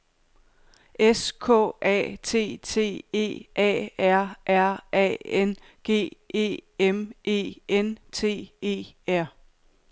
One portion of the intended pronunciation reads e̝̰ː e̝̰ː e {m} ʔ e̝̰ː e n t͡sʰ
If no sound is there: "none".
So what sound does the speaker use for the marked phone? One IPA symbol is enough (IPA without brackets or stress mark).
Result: m